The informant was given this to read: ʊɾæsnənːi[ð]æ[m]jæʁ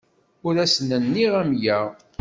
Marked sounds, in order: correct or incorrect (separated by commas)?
incorrect, correct